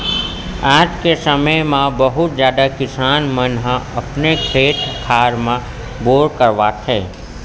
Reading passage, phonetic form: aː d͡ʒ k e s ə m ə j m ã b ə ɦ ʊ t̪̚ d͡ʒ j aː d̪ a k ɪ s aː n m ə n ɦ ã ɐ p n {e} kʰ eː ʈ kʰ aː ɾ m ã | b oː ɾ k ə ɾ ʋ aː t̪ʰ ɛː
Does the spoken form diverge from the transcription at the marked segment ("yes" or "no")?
no